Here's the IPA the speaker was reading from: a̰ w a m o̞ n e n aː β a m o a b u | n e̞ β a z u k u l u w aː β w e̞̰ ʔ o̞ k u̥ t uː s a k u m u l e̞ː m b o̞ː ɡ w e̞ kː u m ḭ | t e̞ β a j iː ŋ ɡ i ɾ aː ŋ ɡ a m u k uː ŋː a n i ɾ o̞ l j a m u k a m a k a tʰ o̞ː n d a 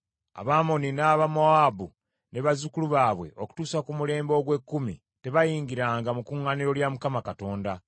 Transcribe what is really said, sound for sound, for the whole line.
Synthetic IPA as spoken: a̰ β a m o̞ n i n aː β a m o a b u | n e̞ β a z u k u l u β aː β w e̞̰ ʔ o̞ k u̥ t uː s a k u m u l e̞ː m b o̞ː ɡ w e̞ kː u m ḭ | t e̞ β a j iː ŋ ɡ i ɾ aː ŋ ɡ a m u k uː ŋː a n i ɾ o̞ l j a m u k a m a k a t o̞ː n d a